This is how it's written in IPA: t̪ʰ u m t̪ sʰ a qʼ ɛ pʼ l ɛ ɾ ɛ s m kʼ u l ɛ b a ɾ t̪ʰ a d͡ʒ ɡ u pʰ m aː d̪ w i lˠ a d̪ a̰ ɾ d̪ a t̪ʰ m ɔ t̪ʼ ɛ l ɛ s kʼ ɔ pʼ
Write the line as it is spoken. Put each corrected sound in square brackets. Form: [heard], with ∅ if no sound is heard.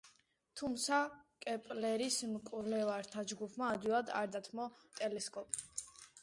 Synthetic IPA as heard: t̪ʰ u m t̪ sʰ a [kʼ] ɛ pʼ l ɛ ɾ [i] s m kʼ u l ɛ [v] a ɾ t̪ʰ a d͡ʒ ɡ u pʰ m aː d̪ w i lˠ a d̪ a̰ ɾ d̪ a t̪ʰ m ɔ t̪ʼ ɛ l ɛ s kʼ ɔ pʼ